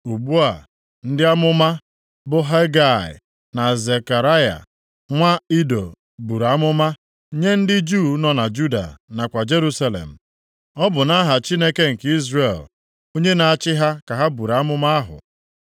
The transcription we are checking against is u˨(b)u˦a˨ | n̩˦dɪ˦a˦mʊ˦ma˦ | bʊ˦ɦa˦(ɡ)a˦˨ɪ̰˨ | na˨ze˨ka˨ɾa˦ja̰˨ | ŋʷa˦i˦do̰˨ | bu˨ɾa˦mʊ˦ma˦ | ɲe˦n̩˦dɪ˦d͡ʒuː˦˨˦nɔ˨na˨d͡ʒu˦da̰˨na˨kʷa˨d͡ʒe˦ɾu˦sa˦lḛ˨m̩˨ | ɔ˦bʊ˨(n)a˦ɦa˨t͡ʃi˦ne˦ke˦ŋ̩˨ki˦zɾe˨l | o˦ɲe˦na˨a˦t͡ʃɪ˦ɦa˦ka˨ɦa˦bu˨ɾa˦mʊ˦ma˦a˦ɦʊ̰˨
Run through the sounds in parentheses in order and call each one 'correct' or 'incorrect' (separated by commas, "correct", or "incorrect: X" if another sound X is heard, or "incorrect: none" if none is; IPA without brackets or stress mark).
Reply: correct, correct, correct